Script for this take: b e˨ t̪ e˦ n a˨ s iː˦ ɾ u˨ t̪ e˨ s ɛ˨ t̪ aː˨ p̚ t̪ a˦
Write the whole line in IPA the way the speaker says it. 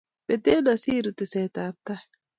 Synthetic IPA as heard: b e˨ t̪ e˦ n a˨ s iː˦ ɾ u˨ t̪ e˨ s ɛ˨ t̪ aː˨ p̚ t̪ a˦